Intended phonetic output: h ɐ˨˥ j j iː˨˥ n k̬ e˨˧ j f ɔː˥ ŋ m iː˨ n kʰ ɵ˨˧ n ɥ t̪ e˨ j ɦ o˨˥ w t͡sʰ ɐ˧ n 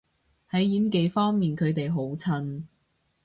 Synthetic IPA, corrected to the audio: h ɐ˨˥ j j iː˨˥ n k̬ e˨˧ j f ɔː˥ ŋ m iː˨ n kʰ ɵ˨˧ ɥ t̪ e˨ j ɦ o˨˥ w t͡sʰ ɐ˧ n